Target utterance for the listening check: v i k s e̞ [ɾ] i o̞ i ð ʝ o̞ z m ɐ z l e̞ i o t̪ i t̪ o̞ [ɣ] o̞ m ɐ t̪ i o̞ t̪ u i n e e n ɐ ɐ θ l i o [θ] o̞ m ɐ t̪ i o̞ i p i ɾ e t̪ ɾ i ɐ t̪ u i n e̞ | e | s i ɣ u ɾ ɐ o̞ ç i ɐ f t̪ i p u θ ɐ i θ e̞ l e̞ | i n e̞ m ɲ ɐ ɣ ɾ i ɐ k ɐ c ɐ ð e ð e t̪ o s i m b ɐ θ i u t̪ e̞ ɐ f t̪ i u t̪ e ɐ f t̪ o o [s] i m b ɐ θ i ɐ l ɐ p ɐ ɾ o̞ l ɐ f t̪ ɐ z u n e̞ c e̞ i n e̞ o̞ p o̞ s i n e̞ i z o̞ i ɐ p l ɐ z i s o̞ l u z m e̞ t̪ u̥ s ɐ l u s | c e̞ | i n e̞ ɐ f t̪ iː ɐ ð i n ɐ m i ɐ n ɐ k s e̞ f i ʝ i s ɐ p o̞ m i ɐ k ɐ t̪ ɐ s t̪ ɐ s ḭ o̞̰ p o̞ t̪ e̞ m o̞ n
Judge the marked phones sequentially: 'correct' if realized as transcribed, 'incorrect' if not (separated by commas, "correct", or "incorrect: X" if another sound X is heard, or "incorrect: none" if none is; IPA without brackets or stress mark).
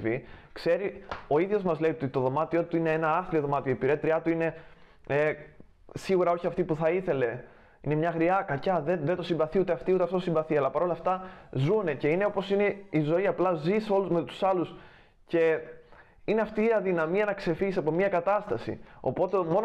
correct, incorrect: ð, incorrect: ð, correct